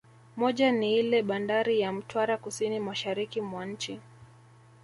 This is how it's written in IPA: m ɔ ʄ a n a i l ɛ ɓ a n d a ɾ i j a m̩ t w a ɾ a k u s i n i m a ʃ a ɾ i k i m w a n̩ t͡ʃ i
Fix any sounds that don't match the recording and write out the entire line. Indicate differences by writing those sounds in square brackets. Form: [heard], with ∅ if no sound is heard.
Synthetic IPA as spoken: m ɔ ʄ a n [i] i l ɛ ɓ a n d a ɾ i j a m̩ t w a ɾ a k u s i n i m a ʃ a ɾ i k i m w a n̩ t͡ʃ i